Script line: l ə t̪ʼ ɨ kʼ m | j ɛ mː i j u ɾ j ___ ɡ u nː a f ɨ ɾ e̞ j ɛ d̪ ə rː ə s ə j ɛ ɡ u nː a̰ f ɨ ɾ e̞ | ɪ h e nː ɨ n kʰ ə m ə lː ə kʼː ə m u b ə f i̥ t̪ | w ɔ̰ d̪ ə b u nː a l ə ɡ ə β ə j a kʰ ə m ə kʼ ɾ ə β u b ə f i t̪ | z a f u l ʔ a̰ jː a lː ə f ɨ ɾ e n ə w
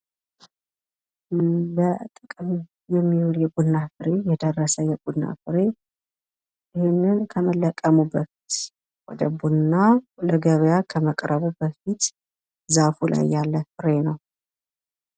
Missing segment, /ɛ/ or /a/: ɛ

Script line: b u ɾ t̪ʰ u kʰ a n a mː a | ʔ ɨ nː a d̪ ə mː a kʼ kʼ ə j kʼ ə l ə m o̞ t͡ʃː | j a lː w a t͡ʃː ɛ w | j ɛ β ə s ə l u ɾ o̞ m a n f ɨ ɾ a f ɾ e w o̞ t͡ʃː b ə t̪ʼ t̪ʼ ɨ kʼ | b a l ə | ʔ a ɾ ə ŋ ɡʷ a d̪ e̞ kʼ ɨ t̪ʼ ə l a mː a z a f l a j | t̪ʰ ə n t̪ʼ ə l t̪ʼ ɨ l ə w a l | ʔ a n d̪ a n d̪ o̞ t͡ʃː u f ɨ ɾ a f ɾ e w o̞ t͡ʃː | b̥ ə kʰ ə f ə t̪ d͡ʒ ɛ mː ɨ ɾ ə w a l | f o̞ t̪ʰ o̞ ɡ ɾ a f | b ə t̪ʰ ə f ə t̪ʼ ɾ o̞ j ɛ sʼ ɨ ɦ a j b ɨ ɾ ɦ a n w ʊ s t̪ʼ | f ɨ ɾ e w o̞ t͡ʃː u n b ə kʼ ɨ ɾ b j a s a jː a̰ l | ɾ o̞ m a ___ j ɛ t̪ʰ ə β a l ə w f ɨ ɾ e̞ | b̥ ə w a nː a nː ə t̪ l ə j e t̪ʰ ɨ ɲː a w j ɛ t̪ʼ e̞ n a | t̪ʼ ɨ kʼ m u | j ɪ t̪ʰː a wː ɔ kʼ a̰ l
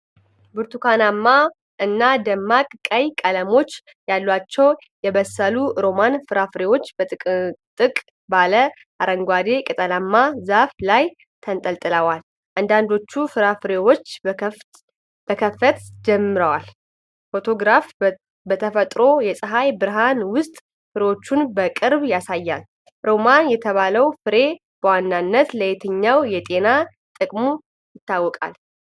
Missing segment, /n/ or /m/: n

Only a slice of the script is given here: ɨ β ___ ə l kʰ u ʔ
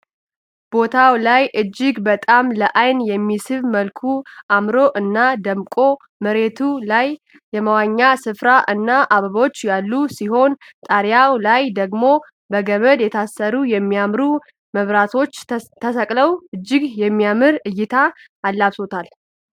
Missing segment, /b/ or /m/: m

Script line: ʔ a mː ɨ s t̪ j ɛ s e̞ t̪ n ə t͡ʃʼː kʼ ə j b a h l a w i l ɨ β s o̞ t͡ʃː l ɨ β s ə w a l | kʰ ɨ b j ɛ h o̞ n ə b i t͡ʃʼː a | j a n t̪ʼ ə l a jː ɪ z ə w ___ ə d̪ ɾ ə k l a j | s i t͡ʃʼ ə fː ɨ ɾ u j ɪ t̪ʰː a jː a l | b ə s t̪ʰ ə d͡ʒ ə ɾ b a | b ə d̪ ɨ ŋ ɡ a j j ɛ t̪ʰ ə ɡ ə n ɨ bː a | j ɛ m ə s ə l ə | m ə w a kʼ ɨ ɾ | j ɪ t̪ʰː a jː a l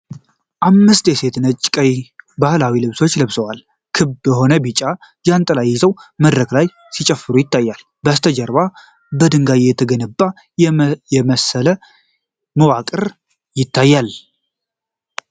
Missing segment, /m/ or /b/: m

